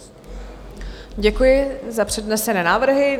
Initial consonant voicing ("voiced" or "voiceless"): voiced